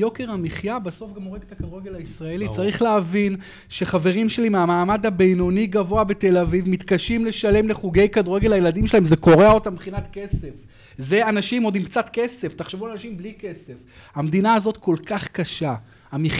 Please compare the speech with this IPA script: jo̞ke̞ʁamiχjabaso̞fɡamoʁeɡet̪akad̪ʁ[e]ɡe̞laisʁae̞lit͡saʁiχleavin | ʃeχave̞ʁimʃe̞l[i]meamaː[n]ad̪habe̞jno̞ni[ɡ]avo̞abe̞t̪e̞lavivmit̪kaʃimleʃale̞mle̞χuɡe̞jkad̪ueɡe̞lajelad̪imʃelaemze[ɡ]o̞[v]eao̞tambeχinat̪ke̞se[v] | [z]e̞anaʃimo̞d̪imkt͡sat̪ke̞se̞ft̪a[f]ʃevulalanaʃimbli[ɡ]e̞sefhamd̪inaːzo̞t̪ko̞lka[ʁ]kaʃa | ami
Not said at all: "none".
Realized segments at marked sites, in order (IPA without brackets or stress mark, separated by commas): e, i, m, ɡ, k, ʁ, f, z, χ, k, χ